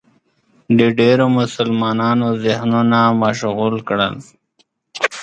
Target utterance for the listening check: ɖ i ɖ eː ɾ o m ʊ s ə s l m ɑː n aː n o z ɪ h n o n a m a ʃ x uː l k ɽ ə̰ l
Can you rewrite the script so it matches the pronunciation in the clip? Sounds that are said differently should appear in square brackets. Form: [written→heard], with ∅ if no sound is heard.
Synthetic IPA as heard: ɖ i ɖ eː ɾ o m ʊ s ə [s→∅] l m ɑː n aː n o z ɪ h n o n a m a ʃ [x→ɣ] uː l k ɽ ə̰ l

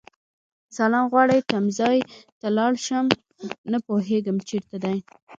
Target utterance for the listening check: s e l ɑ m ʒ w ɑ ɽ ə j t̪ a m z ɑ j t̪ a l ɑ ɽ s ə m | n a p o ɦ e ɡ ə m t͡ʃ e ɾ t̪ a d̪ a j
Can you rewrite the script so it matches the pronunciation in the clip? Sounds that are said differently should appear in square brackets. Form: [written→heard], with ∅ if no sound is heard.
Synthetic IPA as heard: s [e→a] l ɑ m [ʒ→ɣ] w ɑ ɽ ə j t̪ a m z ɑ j t̪ a l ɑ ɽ [s→ʃ] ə m | n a p o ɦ e ɡ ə m t͡ʃ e ɾ t̪ a d̪ a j

